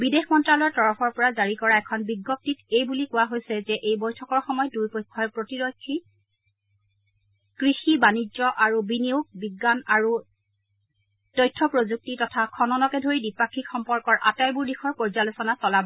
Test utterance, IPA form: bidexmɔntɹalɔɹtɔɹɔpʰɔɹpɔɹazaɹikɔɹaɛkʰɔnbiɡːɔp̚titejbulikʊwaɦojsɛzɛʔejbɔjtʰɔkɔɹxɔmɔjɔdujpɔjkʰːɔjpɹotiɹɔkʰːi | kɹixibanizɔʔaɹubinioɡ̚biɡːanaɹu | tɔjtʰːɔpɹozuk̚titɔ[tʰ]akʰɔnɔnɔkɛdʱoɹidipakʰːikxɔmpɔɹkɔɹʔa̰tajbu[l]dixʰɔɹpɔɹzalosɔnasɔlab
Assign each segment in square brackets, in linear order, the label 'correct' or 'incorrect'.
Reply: correct, incorrect

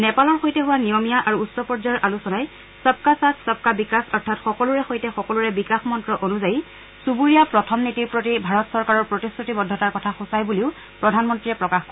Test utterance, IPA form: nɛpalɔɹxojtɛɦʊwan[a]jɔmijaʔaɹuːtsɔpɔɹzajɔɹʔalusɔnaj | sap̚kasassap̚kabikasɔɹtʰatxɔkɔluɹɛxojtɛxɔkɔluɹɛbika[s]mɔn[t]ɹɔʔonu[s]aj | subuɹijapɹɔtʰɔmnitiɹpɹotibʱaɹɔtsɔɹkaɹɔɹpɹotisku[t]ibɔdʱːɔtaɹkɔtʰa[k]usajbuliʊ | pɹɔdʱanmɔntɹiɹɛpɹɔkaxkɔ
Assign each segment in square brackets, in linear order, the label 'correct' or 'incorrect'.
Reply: incorrect, incorrect, correct, incorrect, correct, incorrect

